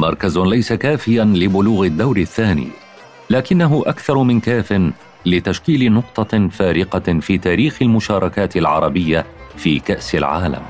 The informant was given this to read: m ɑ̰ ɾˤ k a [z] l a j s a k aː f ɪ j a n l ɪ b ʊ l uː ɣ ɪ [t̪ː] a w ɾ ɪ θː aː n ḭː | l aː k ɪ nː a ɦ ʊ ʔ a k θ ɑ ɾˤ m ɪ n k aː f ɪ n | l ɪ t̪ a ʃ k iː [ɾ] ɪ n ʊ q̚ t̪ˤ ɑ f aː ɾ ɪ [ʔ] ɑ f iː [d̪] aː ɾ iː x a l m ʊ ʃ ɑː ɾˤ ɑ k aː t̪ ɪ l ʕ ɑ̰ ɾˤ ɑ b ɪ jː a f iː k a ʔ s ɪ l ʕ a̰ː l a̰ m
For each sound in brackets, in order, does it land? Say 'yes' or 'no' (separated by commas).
yes, no, no, no, no